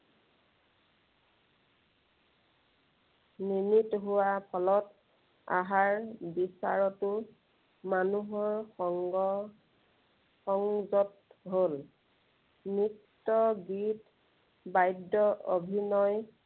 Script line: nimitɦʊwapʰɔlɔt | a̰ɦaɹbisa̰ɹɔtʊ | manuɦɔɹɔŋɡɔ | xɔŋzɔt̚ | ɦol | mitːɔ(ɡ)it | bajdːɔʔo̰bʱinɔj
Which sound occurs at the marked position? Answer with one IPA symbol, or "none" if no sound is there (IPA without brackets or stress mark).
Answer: ɡ